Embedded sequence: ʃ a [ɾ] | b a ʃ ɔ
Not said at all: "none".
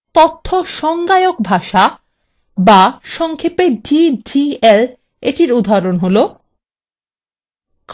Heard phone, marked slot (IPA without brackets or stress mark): none